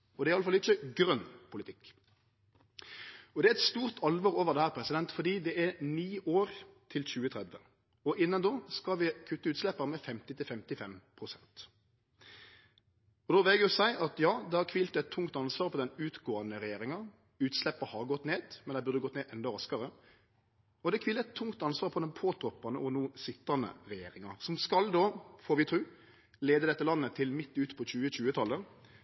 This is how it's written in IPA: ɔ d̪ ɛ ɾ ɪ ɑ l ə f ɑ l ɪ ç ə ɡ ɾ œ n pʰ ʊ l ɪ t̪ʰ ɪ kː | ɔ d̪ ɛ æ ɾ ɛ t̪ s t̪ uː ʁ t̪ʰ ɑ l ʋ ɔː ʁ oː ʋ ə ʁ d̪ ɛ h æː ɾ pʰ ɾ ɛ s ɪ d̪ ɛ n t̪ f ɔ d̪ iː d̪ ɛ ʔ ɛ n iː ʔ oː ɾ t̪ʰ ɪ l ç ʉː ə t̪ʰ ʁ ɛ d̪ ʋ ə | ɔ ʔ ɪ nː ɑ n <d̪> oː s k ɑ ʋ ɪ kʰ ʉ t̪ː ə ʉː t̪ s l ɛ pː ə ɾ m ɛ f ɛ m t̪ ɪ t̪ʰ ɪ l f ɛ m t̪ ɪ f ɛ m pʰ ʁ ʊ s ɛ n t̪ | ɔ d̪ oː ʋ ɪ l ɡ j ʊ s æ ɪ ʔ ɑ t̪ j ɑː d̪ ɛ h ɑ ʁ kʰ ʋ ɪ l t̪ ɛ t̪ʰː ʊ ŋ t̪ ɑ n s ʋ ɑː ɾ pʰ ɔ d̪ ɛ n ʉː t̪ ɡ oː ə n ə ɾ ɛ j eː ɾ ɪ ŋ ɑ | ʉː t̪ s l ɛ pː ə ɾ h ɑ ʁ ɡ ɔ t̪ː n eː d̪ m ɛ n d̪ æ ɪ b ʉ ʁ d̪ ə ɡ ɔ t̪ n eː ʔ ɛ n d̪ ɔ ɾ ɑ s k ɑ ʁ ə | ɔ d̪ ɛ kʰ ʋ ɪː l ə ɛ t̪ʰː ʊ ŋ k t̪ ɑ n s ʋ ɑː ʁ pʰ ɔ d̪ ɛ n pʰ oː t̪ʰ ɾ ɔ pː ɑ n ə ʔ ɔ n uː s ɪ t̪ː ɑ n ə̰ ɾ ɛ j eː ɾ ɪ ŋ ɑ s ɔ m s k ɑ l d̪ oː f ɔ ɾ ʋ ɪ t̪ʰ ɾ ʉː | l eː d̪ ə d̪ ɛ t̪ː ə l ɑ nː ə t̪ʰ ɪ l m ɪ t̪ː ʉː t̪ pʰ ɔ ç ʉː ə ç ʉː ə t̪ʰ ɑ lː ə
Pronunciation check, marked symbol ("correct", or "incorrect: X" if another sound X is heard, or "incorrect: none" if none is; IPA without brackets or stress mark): correct